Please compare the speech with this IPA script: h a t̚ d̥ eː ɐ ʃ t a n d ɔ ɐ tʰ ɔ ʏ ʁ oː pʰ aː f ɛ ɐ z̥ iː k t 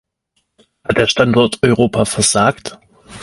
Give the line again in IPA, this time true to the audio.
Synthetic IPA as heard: h a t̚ d̥ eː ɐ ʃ t a n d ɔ ɐ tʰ ɔ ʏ ʁ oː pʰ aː f ɛ ɐ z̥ aː k t